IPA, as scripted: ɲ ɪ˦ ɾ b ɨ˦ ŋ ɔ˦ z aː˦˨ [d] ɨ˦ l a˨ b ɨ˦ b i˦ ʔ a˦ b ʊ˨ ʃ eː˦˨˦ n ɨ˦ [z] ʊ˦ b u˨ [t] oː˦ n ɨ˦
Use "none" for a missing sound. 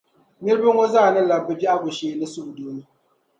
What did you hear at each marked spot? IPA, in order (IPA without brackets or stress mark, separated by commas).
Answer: n, s, d